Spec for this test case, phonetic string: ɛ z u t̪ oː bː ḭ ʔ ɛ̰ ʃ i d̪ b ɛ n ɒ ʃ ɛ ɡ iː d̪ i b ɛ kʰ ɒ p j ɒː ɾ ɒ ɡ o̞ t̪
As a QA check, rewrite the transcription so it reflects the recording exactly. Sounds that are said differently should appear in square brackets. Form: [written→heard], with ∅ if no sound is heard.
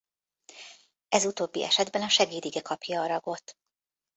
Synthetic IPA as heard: ɛ z u t̪ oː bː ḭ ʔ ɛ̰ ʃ [i→ɛ] d̪ b ɛ n ɒ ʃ ɛ ɡ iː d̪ i [b→ɡ] ɛ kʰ ɒ p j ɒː ɾ ɒ ɡ o̞ t̪